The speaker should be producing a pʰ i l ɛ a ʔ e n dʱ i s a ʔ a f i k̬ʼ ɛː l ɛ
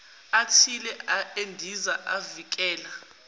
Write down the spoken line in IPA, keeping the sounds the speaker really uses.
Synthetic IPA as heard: a tʰ i l ɛ a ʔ e n dʱ i z a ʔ a v i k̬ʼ ɛː l a